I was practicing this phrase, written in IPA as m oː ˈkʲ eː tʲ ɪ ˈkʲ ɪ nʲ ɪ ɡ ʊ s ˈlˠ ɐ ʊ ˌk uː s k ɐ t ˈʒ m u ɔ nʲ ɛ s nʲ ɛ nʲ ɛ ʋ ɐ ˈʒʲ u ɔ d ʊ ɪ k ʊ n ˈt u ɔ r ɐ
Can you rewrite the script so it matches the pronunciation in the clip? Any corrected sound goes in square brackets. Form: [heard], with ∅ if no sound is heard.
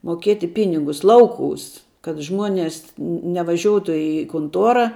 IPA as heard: m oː ˈkʲ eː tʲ ɪ [ˈpʲ] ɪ nʲ ɪ ɡ ʊ s ˈlˠ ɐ ʊ ˌk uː s k ɐ t ˈʒ m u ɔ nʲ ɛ s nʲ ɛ nʲ ɛ ʋ ɐ ˈʒʲ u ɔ [t] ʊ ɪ k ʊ n ˈt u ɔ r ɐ